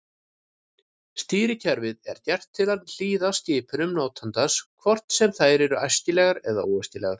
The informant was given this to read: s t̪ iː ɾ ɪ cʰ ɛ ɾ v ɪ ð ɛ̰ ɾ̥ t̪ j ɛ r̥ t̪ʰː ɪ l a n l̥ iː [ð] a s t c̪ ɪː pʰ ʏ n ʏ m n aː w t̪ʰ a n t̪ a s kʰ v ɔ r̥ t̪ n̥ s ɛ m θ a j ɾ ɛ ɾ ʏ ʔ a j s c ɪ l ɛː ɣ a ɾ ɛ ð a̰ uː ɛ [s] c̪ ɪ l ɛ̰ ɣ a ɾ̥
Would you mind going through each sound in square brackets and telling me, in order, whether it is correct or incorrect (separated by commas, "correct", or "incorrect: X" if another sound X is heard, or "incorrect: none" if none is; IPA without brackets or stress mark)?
correct, correct